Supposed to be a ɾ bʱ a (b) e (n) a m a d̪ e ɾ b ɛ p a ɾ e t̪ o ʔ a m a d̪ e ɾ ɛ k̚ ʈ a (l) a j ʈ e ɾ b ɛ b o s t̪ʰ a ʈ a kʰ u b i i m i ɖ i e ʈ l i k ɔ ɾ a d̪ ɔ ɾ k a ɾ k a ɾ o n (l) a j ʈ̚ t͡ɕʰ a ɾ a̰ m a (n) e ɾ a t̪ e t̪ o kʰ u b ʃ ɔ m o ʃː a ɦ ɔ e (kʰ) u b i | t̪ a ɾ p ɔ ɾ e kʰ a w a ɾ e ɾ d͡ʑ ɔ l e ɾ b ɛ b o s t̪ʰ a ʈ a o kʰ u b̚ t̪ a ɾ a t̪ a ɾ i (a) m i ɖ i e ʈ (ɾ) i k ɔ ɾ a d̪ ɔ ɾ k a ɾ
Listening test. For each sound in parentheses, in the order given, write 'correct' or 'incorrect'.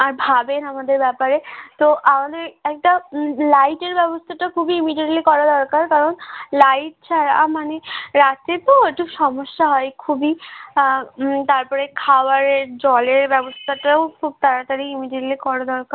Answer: correct, correct, correct, correct, correct, correct, incorrect, incorrect

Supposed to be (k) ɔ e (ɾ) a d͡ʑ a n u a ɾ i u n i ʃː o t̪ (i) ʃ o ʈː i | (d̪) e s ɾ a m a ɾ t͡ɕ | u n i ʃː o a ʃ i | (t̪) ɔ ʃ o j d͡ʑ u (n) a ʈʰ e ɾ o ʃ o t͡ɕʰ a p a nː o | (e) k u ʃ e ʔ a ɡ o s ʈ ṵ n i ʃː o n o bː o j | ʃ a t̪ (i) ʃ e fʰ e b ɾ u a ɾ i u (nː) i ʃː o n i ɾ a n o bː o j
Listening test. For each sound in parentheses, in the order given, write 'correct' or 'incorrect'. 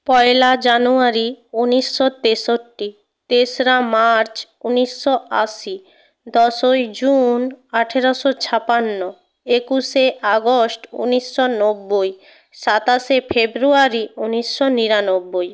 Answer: incorrect, incorrect, incorrect, incorrect, incorrect, correct, correct, incorrect, incorrect

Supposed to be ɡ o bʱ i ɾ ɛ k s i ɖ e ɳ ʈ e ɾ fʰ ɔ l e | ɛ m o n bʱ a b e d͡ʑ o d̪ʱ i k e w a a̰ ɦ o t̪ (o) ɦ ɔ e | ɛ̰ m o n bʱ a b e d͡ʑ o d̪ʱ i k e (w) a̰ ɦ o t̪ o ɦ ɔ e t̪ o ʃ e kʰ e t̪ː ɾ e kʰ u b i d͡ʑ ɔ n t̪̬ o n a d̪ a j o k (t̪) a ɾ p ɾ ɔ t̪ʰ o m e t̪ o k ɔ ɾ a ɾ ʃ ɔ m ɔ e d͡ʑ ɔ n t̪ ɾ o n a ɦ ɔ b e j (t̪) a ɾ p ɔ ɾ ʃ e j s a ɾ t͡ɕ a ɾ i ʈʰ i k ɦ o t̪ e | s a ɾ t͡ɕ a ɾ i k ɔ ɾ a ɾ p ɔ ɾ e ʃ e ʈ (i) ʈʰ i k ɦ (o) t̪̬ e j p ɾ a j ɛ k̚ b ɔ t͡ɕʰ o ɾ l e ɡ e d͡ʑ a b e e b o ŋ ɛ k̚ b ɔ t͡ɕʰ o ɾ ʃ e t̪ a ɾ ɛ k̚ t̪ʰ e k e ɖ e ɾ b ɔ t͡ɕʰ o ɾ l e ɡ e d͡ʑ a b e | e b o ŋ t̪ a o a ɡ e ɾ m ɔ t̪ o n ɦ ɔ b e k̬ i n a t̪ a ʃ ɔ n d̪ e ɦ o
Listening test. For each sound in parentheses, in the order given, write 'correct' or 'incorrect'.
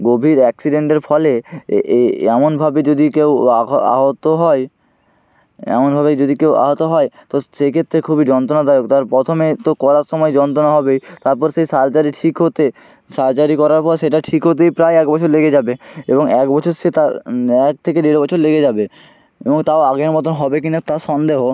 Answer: correct, correct, correct, correct, incorrect, correct

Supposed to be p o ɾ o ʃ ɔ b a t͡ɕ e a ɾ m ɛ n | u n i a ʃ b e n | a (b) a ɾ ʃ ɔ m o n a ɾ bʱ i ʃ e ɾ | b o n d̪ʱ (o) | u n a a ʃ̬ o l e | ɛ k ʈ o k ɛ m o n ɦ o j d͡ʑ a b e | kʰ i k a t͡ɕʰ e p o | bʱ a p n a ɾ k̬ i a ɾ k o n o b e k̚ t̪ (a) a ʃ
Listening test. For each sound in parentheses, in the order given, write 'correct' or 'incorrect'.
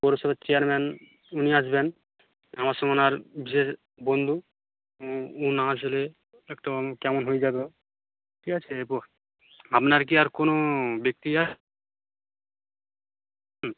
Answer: incorrect, incorrect, incorrect

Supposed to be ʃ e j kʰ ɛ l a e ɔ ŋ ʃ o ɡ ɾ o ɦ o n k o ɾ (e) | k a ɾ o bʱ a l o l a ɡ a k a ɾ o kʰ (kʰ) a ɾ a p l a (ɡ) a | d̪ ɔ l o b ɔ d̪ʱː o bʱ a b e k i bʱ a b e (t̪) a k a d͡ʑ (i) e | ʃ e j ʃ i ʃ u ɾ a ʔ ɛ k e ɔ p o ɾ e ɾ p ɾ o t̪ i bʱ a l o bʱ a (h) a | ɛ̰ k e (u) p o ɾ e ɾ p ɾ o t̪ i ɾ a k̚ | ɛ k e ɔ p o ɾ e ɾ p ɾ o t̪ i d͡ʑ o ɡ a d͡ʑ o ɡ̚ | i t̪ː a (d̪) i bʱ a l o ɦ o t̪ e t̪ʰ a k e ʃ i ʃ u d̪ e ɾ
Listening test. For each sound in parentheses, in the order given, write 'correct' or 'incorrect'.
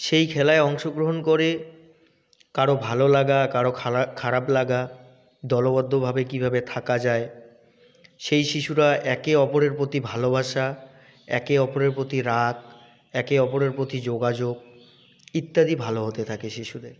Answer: correct, correct, correct, incorrect, incorrect, incorrect, incorrect, correct

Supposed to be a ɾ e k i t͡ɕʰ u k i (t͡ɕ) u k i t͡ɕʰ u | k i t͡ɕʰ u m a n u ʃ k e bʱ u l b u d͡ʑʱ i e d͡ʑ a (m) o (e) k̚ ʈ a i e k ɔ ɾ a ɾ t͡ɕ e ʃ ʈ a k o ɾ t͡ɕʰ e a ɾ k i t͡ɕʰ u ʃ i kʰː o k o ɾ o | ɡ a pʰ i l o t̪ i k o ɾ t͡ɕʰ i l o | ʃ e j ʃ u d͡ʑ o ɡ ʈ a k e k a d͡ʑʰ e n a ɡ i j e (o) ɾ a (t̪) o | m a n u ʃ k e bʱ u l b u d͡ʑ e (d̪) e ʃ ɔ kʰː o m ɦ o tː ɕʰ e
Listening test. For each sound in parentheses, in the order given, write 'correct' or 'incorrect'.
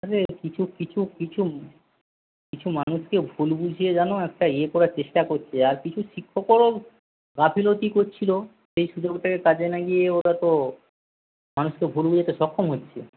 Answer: incorrect, incorrect, incorrect, correct, correct, incorrect

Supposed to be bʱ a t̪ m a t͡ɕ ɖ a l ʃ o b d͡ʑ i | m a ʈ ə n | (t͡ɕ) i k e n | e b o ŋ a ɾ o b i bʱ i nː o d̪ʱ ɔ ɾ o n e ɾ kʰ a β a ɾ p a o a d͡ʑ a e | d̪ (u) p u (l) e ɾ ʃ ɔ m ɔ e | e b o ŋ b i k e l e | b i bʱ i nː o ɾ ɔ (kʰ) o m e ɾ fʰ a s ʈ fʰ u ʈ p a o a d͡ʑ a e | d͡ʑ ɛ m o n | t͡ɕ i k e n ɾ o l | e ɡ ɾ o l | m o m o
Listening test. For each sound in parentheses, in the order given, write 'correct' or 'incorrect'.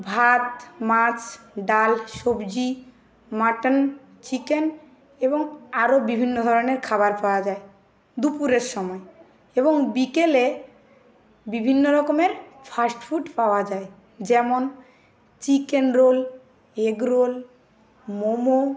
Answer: correct, correct, incorrect, incorrect

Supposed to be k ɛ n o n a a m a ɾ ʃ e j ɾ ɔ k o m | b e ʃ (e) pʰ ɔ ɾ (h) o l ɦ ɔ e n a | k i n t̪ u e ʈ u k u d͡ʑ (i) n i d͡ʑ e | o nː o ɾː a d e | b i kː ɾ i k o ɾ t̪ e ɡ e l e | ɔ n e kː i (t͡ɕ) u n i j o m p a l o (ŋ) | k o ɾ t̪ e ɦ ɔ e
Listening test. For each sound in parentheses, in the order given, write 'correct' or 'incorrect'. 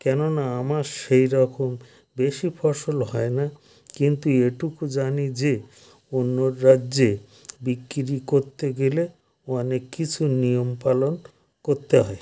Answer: incorrect, incorrect, incorrect, incorrect, incorrect

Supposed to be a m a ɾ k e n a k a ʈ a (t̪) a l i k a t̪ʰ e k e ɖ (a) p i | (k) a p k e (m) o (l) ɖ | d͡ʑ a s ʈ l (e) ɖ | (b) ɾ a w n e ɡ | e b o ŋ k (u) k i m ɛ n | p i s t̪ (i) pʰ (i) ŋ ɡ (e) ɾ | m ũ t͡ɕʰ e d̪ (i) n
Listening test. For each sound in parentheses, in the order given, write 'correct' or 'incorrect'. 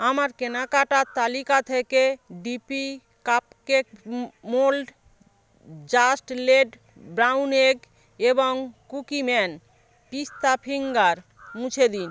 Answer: correct, incorrect, correct, correct, correct, correct, correct, correct, incorrect, correct, incorrect, correct

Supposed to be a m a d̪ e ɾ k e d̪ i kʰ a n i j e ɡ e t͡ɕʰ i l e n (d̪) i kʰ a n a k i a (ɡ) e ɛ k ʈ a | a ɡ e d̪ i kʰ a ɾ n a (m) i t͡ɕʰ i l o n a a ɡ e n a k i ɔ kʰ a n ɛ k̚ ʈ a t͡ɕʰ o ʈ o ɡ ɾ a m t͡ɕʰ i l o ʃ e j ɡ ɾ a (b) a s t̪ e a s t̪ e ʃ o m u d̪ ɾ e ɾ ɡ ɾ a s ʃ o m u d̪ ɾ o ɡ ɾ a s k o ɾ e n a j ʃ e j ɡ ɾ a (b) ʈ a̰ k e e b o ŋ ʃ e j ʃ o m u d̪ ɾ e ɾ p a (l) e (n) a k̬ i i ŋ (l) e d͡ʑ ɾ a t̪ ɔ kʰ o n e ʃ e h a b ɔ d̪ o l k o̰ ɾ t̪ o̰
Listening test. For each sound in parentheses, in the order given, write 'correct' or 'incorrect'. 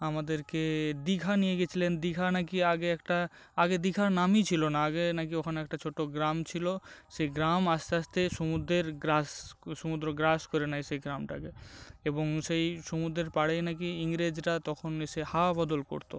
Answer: correct, correct, correct, incorrect, incorrect, incorrect, correct, incorrect

